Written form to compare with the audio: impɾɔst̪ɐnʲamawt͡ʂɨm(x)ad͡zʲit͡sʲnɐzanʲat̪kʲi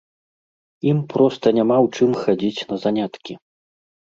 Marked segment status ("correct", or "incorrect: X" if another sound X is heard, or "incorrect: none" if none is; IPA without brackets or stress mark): correct